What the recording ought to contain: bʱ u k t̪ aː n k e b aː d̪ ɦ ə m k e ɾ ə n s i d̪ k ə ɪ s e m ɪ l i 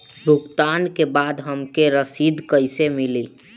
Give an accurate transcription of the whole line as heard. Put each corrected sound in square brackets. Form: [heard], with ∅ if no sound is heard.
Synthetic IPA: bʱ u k t̪ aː n k e b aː d̪ ɦ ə m k e ɾ ə [∅] s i d̪ k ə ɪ s e m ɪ l i